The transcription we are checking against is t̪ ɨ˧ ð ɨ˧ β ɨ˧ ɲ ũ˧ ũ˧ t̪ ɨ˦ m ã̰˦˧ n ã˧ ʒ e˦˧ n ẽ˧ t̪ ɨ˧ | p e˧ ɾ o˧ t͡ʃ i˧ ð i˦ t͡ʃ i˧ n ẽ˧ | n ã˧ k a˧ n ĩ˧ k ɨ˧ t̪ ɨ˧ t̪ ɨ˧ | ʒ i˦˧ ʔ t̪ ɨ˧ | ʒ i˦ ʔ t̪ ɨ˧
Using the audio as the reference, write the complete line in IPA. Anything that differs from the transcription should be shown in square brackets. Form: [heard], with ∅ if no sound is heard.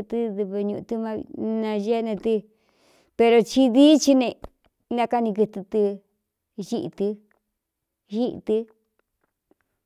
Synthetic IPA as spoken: t̪ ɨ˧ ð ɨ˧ β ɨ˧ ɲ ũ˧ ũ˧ t̪ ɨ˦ m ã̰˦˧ n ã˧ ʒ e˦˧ n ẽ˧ t̪ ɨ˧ | p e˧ ɾ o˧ t͡ʃ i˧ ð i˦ t͡ʃ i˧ n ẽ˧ | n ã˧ k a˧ n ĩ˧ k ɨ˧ t̪ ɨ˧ t̪ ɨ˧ | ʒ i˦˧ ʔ t̪ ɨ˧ | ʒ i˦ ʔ t̪ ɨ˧

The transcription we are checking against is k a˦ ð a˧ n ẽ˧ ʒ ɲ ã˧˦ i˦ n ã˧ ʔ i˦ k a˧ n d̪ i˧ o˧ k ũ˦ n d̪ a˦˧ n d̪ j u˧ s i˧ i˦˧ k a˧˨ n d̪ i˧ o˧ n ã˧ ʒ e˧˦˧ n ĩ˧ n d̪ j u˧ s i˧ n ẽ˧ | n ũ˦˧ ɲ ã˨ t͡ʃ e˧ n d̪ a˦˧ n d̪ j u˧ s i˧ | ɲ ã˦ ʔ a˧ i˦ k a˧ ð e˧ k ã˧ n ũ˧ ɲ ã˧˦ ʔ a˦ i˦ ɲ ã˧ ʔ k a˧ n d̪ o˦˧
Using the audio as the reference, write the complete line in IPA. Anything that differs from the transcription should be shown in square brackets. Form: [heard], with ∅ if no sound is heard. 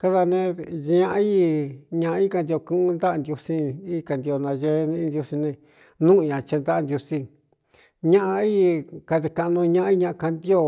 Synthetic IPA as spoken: k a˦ ð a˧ n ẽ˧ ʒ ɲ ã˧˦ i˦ [ɲ] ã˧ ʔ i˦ k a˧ n d̪ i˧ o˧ k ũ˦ n d̪ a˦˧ n d̪ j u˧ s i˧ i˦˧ k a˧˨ n d̪ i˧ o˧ n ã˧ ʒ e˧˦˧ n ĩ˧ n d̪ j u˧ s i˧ n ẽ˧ | n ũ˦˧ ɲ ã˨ t͡ʃ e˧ n d̪ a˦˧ n d̪ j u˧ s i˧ | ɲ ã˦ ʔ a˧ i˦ k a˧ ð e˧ k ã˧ n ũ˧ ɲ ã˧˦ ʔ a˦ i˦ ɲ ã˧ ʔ k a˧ n d̪ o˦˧

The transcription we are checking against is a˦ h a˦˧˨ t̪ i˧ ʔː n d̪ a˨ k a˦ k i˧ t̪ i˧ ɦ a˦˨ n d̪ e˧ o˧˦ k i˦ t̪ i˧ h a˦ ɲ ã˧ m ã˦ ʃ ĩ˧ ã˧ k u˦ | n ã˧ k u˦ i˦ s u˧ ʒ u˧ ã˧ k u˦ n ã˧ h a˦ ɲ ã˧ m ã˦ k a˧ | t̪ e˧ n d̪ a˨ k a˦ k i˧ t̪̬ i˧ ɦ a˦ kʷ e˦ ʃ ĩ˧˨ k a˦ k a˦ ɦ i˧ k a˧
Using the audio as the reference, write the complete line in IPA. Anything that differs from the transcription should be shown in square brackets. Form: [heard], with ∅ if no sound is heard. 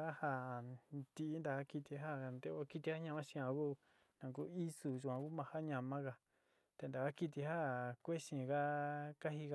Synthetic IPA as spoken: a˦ h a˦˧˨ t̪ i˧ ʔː n d̪ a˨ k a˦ k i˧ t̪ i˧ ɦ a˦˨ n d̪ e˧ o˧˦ k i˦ t̪ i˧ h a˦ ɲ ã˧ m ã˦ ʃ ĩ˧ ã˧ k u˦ | n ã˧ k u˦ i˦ s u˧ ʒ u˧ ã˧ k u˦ [m] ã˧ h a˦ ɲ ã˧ m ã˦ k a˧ | t̪ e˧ n d̪ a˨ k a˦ k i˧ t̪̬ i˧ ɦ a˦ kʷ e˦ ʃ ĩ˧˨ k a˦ k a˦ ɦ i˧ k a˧

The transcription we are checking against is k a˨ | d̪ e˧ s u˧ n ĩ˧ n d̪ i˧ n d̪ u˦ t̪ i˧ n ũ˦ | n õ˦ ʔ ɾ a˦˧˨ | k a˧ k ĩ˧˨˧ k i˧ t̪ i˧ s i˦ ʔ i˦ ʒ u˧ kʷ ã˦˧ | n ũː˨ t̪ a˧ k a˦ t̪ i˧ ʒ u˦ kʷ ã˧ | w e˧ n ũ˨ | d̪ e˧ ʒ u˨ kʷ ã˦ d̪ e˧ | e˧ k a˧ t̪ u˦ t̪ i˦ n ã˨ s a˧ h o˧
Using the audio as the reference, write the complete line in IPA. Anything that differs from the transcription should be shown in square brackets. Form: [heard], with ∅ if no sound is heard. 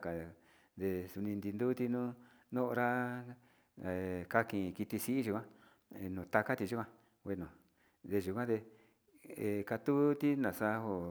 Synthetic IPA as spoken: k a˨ | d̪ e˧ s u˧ n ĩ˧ n d̪ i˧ n d̪ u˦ t̪ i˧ n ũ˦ | n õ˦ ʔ ɾ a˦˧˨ | k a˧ k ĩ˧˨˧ k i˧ t̪ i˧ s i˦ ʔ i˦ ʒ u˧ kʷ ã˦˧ | n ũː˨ t̪ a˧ k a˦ t̪ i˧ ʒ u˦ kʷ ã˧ | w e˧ n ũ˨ | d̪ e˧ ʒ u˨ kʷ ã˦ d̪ e˧ | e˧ k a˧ t̪ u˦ t̪ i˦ n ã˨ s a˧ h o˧

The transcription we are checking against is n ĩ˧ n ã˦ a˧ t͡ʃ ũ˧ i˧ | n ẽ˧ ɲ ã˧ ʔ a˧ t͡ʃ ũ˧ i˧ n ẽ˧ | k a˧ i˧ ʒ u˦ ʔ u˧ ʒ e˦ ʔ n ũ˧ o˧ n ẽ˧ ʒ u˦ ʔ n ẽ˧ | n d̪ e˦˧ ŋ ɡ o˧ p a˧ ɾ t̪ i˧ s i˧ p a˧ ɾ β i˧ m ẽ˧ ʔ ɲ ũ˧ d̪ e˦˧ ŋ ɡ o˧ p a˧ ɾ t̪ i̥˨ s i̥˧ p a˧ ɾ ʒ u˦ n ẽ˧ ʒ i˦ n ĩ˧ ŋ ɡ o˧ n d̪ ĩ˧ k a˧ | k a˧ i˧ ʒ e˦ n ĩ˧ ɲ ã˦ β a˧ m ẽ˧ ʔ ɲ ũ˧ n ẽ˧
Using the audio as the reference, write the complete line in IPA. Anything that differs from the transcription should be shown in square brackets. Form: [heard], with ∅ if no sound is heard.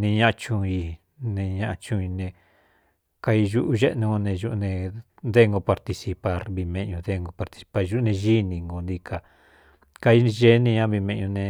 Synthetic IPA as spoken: n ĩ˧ [ɲ] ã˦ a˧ t͡ʃ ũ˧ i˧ | n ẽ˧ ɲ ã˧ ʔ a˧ t͡ʃ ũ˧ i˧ n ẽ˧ | k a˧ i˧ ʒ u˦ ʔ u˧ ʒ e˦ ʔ n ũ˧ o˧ n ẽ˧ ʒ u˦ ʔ n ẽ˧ | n d̪ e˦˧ ŋ ɡ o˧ p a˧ ɾ t̪ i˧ s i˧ p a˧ ɾ β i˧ m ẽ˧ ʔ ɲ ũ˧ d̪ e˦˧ ŋ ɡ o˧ p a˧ ɾ t̪ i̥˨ s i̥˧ p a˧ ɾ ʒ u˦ n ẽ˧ ʒ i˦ n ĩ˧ ŋ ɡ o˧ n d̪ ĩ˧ k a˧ | k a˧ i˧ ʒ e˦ n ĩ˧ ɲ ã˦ β [i˧] m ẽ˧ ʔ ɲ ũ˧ n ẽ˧

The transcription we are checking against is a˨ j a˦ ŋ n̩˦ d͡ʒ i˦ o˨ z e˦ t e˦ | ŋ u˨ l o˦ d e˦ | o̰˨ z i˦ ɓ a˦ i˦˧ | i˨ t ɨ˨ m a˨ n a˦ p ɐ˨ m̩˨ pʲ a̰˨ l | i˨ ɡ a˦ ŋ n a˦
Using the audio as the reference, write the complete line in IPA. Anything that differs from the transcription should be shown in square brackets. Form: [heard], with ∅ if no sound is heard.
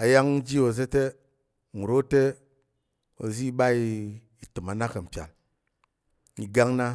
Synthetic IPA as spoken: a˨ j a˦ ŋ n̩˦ d͡ʒ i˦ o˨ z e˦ t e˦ | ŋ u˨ [ɾ] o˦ [t] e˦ | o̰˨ z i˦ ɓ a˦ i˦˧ | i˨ t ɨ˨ m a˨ n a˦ [k] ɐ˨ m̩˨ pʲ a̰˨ l | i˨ ɡ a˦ ŋ n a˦

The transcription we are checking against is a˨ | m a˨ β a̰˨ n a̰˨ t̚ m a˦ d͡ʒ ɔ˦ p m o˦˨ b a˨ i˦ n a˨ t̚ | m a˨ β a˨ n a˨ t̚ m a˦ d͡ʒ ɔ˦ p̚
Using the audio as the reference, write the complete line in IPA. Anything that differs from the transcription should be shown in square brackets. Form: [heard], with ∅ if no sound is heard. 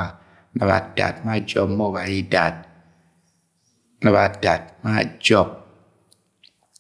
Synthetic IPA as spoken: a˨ | [n] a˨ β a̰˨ [d] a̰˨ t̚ m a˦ d͡ʒ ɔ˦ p m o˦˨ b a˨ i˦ [d] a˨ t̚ | [n] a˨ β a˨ [d] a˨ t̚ m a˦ d͡ʒ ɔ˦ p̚

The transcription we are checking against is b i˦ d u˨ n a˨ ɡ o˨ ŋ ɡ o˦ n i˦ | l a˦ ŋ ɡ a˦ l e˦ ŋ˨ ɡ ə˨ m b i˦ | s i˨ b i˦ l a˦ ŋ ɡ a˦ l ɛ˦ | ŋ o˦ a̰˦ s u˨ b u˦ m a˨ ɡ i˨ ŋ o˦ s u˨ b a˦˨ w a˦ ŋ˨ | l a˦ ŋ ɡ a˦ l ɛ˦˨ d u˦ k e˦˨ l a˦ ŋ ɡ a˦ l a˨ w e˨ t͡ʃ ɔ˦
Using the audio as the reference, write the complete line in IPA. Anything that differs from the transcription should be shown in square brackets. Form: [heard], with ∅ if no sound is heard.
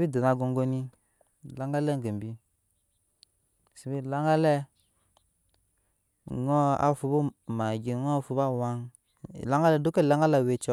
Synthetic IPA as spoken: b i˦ d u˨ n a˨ ɡ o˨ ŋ ɡ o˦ n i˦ | l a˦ ŋ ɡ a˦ l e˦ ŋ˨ ɡ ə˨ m b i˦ | s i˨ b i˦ l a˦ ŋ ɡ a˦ l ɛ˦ | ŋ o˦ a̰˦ [f] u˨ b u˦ m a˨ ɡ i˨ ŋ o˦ [f] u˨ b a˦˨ w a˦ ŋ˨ | l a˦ ŋ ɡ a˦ l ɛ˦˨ d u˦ k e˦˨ l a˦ ŋ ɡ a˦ l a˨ w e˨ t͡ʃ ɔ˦

